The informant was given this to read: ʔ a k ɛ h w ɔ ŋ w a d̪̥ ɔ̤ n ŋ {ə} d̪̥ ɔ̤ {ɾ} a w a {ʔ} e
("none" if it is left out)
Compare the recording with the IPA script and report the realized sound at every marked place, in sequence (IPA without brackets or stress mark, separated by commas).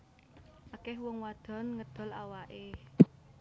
ə, l, ʔ